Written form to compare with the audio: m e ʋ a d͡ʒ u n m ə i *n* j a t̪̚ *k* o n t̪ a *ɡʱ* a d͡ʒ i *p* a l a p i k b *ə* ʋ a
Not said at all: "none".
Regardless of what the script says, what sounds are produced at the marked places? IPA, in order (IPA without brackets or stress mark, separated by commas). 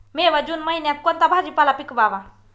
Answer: n, k, bʱ, p, a